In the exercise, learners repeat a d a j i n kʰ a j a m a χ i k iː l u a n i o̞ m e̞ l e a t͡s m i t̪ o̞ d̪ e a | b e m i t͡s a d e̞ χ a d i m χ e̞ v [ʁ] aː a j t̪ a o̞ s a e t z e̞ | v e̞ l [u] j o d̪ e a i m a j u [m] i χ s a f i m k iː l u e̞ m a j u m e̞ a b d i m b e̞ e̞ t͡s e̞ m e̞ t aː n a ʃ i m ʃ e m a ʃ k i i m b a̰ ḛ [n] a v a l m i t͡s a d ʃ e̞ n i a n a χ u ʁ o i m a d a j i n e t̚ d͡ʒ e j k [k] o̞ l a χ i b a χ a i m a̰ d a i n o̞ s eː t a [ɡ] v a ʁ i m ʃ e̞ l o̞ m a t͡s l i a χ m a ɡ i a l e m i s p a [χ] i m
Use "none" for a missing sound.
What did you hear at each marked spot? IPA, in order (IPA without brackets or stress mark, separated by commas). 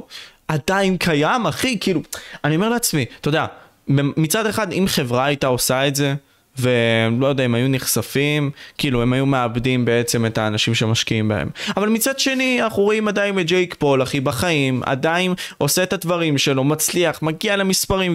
ʁ, o, n, m, p, d, ʁ